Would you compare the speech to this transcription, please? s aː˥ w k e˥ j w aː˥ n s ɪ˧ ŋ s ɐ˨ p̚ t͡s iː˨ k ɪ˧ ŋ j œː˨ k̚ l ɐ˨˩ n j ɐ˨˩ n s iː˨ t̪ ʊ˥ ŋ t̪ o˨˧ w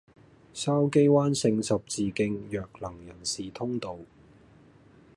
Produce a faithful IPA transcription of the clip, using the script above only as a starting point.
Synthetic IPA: s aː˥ w k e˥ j w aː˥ n s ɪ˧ ŋ s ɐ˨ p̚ t͡s iː˨ k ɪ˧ ŋ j œː˨ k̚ l ɐ˨˩ ŋ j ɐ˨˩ n s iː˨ t̪ʰ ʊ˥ ŋ t̪ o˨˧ w

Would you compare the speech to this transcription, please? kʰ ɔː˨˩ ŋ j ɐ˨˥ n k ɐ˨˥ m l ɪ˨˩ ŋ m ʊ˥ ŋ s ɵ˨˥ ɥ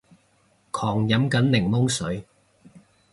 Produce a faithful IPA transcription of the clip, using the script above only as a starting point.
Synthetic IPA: kʰ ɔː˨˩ ŋ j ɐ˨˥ m k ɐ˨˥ n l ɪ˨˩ ŋ m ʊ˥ ŋ s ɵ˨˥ ɥ

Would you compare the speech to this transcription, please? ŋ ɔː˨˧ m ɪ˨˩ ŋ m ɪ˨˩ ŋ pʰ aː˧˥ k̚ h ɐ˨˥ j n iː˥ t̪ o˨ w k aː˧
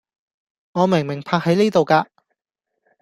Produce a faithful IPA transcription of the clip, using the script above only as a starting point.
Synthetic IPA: ŋ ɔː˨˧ m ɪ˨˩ ŋ m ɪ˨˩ ŋ pʰ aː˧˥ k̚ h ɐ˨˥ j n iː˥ t̪ o˨ w k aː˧

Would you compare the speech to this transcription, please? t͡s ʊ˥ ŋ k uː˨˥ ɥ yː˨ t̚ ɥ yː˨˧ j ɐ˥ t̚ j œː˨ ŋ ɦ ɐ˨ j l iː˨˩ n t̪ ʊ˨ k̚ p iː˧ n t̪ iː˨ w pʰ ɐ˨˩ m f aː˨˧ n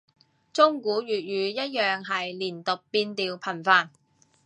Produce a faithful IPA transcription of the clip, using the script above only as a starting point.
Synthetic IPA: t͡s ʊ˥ ŋ k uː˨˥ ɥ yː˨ t̚ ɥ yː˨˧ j ɐ˥ t̚ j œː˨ ŋ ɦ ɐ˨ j l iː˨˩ n t̪ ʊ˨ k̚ p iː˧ n t̪ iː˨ w pʰ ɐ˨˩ n f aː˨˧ n

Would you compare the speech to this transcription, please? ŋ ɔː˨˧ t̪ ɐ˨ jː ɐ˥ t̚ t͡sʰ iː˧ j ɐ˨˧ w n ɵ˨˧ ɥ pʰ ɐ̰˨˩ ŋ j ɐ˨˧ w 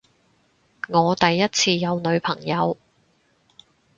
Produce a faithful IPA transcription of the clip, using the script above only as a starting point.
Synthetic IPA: ŋ ɔː˨˧ t̪ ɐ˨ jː ɐ˥ t̚ t͡sʰ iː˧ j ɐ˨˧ w n ɵ˨˧ ɥ pʰ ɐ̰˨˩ ŋ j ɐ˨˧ w

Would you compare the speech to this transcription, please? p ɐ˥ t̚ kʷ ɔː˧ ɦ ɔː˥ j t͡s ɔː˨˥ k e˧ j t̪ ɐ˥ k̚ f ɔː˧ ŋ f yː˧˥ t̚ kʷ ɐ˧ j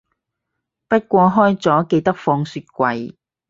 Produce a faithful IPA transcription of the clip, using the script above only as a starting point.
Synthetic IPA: p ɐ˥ t̚ kʷ ɔː˧ ɦ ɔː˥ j t͡s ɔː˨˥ k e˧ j t̪ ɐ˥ k̚ f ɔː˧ ŋ s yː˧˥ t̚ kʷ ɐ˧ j

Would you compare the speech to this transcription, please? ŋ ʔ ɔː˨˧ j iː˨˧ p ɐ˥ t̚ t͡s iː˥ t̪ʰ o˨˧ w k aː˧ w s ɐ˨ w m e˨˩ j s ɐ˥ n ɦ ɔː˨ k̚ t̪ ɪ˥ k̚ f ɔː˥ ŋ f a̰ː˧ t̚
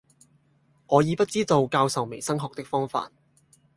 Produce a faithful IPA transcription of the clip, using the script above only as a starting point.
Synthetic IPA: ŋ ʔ ɔː˨˧ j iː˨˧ p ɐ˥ t̚ t͡s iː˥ t̪ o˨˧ w k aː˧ w s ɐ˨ w m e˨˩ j s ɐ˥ ŋ ɦ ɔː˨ k̚ t̪ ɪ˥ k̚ f ɔː˥ ŋ f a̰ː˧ t̚

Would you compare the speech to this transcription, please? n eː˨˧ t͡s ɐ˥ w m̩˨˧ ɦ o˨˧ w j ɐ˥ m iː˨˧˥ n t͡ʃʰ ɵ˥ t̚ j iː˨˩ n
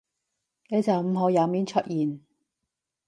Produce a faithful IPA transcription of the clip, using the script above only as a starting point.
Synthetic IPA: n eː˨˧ t͡s ɐ˨ w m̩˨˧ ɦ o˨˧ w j ɐ˨˧ m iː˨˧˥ n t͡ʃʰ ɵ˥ t̚ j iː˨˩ n

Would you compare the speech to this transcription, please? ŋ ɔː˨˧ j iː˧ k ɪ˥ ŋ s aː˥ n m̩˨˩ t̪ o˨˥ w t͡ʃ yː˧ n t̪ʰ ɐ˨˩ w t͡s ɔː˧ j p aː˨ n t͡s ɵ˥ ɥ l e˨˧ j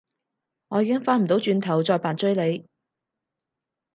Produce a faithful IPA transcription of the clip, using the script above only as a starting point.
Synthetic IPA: ŋ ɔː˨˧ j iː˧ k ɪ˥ ŋ f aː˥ n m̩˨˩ t̪ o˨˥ w t͡ʃ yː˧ n t̪ʰ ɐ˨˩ w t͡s ɔː˧ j p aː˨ n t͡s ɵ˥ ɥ l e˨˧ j

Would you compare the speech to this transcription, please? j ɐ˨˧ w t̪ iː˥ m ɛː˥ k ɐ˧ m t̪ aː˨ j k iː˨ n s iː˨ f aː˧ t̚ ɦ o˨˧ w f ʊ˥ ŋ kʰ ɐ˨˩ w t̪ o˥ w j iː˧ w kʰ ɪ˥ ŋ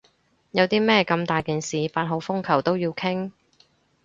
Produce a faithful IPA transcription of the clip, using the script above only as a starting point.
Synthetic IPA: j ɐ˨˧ w t̪ iː˥ m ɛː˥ k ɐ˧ m t̪ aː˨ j k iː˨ n s iː˨ f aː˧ t̚ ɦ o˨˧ w f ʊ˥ ŋ kʰ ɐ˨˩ w t̪ o˥ w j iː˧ w kʰ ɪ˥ ŋ

